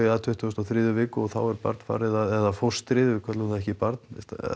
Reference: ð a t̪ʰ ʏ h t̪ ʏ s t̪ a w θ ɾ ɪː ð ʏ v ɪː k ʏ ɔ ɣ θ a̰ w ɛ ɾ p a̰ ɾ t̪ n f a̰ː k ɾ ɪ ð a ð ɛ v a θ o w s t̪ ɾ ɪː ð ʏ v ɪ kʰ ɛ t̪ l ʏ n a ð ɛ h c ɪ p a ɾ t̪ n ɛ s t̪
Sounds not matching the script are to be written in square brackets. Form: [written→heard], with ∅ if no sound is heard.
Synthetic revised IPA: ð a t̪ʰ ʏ h t̪ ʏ s t̪ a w θ ɾ ɪː ð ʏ v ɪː k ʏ ɔ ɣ θ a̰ w ɛ ɾ p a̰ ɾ t̪ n f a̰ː [k→∅] ɾ ɪ ð a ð ɛ [v→ð] a [θ→f] o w s t̪ ɾ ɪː ð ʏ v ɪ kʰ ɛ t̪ l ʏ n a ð ɛ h c ɪ p a ɾ t̪ n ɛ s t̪